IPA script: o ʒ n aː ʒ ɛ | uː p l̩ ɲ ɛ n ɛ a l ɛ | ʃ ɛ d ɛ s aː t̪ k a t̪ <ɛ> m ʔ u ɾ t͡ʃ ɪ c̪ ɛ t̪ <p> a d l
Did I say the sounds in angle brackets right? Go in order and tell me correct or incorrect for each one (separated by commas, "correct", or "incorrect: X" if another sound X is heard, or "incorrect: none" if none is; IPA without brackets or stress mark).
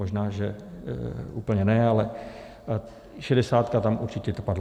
incorrect: a, correct